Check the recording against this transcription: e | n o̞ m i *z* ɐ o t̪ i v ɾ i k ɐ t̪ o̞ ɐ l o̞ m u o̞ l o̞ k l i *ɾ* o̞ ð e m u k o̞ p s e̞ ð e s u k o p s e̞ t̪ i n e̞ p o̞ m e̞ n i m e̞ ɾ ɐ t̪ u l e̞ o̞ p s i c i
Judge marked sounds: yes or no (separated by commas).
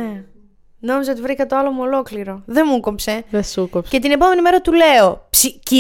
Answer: yes, yes